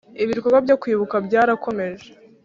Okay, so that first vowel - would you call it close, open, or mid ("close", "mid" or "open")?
close